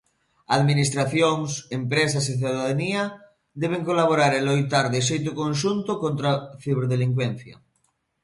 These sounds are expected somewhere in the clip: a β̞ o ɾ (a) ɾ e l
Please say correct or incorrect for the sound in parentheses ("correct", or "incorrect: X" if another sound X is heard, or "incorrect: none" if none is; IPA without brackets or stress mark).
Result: correct